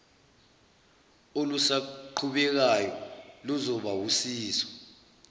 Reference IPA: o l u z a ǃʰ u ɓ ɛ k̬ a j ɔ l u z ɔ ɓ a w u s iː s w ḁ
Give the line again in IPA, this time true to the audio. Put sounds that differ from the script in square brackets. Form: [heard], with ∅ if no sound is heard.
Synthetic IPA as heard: o l u [s] a ǃʰ u ɓ ɛ k̬ a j ɔ l u z ɔ ɓ a w u s iː s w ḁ